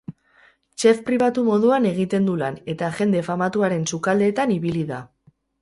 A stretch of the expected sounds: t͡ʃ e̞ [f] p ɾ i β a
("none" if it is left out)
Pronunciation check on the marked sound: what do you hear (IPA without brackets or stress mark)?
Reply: f